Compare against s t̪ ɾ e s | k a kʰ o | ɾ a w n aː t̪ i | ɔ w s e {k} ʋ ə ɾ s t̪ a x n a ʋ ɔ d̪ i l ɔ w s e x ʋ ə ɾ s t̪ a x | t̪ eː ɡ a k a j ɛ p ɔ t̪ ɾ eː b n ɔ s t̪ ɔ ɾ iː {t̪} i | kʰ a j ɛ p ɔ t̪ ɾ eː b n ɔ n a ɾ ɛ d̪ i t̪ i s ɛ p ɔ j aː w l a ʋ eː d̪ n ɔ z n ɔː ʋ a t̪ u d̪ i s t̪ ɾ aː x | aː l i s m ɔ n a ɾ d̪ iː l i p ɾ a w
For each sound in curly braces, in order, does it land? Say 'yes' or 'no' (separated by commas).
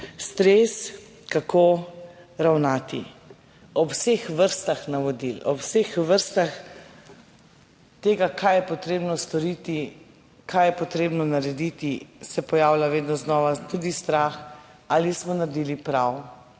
no, yes